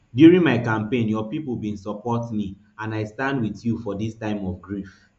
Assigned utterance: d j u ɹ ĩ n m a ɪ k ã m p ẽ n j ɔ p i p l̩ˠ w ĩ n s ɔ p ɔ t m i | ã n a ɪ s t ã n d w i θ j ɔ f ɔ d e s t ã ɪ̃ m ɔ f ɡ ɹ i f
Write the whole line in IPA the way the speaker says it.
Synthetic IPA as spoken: d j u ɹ ĩ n m a ɪ k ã m p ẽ n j ɔ p i p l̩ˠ b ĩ n s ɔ p ɔ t m i | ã n a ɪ s t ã n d w i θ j u f ɔ d i s t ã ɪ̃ m ɔ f ɡ ɹ i f